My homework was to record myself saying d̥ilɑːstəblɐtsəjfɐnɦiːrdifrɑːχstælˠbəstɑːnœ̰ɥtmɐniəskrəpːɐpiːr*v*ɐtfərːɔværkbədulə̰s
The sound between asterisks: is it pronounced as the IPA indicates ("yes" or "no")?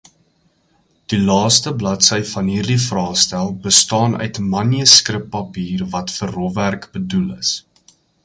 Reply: yes